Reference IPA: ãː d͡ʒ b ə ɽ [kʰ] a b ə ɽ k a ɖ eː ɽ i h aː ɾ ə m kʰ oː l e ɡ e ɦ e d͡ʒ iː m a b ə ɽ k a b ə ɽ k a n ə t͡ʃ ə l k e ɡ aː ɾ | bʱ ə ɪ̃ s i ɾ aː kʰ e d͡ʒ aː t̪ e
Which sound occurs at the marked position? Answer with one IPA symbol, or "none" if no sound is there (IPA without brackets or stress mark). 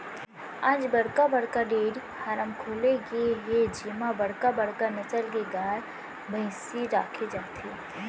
k